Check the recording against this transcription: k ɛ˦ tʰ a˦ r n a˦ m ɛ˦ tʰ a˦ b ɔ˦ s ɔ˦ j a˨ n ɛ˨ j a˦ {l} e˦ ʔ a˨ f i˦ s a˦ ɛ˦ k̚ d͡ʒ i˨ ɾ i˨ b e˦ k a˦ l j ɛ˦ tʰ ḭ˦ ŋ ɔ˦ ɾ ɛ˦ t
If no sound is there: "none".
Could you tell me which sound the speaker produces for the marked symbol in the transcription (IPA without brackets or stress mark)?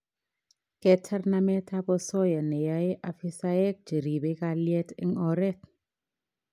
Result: none